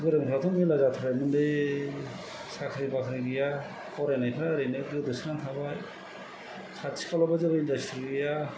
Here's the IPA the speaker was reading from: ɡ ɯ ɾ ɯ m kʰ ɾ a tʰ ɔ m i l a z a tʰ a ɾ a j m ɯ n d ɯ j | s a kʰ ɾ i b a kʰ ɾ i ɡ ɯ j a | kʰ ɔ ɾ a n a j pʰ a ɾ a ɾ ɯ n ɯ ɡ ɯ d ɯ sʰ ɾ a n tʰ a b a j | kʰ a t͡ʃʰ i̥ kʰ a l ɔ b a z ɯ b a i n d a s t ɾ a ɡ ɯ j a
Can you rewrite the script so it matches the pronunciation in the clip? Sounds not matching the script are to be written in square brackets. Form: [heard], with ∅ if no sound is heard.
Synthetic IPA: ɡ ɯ ɾ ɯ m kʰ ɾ a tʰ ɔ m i l a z a tʰ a ɾ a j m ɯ n d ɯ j | s a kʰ ɾ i b a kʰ ɾ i ɡ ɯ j a | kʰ ɔ ɾ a n a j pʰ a ɾ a ɾ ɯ n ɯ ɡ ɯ d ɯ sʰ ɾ a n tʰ a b a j | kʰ a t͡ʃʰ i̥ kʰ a l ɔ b a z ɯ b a i n d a s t ɾ [i] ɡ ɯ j a

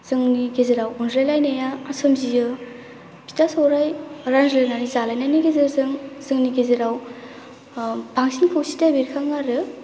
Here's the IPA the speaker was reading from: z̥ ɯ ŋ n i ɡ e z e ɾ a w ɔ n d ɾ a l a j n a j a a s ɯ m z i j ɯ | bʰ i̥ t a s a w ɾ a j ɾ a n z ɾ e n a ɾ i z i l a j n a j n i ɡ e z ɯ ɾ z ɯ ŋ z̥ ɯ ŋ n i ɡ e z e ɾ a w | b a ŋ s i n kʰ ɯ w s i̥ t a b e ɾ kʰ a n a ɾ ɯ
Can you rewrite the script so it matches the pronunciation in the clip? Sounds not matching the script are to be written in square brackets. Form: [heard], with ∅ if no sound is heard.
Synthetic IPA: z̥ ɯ ŋ n i ɡ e z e ɾ a w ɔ n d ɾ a l a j n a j a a s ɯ m z i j ɯ | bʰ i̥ t a s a w ɾ a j ɾ a n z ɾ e n a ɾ i z [a] l a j n a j n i ɡ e z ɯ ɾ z ɯ ŋ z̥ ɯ ŋ n i ɡ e z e ɾ a w | b a ŋ s i n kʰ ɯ w s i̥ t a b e ɾ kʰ a [ŋ] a ɾ ɯ

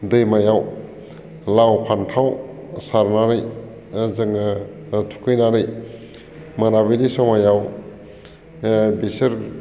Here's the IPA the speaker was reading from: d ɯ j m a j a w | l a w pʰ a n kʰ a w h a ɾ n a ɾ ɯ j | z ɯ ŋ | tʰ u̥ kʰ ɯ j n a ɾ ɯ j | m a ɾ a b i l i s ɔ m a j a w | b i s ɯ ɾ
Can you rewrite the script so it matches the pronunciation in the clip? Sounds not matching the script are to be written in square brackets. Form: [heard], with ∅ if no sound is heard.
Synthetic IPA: d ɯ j m a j a w | l a w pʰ a n [tʰ] a w [s] a ɾ n a ɾ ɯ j | z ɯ ŋ | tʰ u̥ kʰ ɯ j n a ɾ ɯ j | m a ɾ a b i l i s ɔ m a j a w | b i s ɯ ɾ

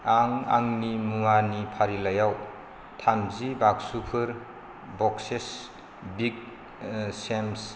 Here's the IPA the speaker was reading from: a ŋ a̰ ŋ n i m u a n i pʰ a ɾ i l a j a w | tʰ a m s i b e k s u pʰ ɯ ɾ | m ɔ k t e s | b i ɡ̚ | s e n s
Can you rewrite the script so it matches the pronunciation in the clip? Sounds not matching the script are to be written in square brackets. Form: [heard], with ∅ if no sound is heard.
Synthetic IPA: a ŋ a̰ ŋ n i m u a n i pʰ a ɾ i l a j a w | tʰ a m [z] i b [a] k s u pʰ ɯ ɾ | [b] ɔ k [s] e s | b i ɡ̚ | s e [m] s

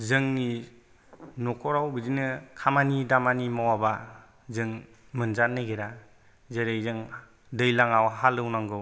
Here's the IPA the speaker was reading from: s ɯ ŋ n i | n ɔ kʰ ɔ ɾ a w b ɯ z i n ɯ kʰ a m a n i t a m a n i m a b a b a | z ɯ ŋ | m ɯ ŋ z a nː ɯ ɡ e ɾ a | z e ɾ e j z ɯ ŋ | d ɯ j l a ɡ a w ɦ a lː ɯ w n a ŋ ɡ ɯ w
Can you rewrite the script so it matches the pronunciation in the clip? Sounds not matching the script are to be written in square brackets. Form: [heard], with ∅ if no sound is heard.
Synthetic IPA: [z] ɯ ŋ n i | n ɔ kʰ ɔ ɾ a w b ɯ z i n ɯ kʰ a m a n i [d] a m a n i m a [w] a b a | z ɯ ŋ | m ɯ [n] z a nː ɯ ɡ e ɾ a | z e ɾ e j z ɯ ŋ | d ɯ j l a [ŋ] a w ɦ a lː ɯ w n a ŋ ɡ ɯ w

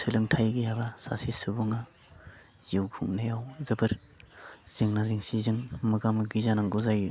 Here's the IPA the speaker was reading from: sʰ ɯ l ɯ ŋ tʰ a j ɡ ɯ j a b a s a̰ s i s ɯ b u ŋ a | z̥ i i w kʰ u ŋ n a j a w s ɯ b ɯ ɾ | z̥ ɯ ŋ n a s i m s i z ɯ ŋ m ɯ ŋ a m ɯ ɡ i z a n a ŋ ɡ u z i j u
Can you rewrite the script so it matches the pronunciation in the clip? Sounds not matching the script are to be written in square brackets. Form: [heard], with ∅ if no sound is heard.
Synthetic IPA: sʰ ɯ l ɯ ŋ tʰ a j ɡ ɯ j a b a s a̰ s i s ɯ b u ŋ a | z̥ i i w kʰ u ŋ n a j a w [z] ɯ b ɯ ɾ | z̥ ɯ ŋ n a [z] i [ŋ] s i z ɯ ŋ m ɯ [ɡ] a m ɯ ɡ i z a n a ŋ ɡ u z [a] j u

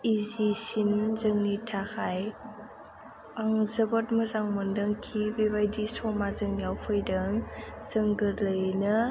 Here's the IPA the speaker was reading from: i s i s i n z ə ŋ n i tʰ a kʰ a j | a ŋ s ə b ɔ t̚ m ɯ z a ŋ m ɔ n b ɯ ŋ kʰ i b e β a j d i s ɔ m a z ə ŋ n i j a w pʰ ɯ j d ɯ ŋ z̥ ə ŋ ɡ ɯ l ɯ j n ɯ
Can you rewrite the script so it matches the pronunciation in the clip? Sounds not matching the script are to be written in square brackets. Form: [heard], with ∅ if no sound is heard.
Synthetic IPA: i [z] i s i n z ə ŋ n i tʰ a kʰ a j | a ŋ [z] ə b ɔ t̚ m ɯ z a ŋ m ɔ n [d] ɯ ŋ kʰ i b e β a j d i s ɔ m a z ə ŋ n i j a w pʰ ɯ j d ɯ ŋ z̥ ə ŋ ɡ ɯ l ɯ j n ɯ

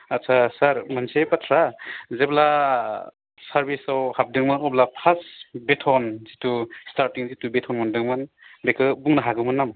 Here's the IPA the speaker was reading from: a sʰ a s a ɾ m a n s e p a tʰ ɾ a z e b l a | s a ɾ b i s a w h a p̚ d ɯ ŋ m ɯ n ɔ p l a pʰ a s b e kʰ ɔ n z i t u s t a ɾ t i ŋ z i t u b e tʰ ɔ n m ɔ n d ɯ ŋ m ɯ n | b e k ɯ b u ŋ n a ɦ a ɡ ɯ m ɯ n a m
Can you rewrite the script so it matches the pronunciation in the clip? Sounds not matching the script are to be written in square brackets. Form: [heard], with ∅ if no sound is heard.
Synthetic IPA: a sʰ a s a ɾ m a n s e p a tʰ ɾ a z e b l a | s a ɾ b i s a w h a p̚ d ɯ ŋ m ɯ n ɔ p l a pʰ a s b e [tʰ] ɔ n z i t u s t a ɾ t i ŋ z i t u b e tʰ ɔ n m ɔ n d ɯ ŋ m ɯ n | b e k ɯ b u ŋ n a ɦ a ɡ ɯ m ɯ n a m

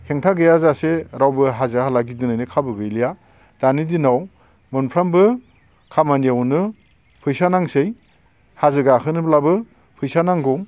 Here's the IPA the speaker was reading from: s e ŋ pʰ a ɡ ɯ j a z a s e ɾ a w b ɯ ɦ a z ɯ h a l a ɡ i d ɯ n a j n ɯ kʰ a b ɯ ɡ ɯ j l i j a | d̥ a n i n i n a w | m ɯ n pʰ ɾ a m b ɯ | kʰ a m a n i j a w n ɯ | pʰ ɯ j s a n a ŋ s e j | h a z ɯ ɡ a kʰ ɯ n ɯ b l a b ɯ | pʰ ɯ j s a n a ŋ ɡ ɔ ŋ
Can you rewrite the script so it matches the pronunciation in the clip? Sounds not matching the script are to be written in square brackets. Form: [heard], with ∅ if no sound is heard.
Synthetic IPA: [h] e ŋ [tʰ] a ɡ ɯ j a z a s e ɾ a w b ɯ ɦ a z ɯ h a l a ɡ i d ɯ n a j n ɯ kʰ a b ɯ ɡ ɯ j l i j a | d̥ a n i [d] i n a w | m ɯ n pʰ ɾ a m b ɯ | kʰ a m a n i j a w n ɯ | pʰ ɯ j s a n a ŋ s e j | h a z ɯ ɡ a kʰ ɯ n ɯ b l a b ɯ | pʰ ɯ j s a n a ŋ ɡ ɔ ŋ

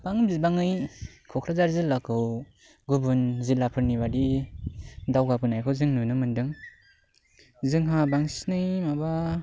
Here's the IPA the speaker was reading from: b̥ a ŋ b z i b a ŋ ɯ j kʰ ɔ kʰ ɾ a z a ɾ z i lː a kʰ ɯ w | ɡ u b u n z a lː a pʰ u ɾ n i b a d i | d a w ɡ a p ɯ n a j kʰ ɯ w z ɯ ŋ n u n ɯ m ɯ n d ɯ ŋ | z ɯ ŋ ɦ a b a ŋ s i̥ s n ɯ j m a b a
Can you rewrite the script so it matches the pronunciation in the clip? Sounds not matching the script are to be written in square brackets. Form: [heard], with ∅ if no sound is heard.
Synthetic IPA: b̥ a ŋ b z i b a ŋ ɯ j kʰ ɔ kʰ ɾ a z a ɾ z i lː a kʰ ɯ w | ɡ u b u n z [i] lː a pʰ [ɯ] ɾ n i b a d i | d a w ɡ a p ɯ n a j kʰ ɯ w z ɯ ŋ n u n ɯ m ɯ n d ɯ ŋ | z ɯ ŋ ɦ a b a ŋ s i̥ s n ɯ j m a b a

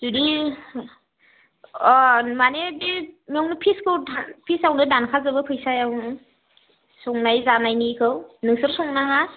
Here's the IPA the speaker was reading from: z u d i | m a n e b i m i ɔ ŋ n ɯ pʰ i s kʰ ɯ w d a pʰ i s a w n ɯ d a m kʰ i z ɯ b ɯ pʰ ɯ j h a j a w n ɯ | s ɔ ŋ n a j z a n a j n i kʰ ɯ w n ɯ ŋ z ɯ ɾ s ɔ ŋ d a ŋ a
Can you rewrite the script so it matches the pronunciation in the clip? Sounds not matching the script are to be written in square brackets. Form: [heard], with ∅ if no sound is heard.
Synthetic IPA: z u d i | m a n e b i m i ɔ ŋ n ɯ pʰ i s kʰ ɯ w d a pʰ i s a w n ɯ d a [n] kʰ [a] z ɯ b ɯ pʰ ɯ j [s] a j a w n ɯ | s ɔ ŋ n a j z a n a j n i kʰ ɯ w n ɯ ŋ [s] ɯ ɾ s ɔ ŋ [n] a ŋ a

